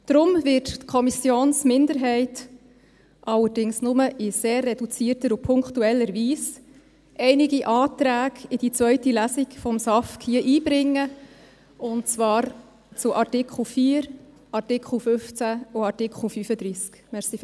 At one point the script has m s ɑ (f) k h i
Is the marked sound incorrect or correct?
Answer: correct